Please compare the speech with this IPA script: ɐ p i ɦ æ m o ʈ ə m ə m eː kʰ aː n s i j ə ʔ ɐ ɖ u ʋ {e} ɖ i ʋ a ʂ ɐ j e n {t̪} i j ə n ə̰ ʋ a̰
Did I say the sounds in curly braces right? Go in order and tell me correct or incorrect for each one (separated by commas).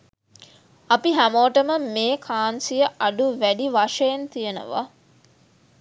incorrect, correct